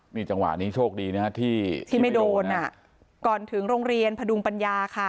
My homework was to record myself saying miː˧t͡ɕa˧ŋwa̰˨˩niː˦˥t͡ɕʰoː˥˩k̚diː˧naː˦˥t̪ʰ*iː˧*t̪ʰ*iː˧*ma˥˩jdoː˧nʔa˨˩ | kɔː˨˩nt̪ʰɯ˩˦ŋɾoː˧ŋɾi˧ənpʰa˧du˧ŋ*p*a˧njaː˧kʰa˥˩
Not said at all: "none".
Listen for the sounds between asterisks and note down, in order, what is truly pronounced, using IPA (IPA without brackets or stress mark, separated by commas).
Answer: iː˥˩, iː˥˩, p